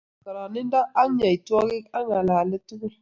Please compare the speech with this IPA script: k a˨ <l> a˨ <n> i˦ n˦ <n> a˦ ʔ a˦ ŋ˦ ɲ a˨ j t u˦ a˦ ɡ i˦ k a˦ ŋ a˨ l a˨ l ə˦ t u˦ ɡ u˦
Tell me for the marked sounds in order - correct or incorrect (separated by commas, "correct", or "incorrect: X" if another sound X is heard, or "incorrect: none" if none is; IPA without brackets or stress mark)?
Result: incorrect: ɾ, correct, incorrect: d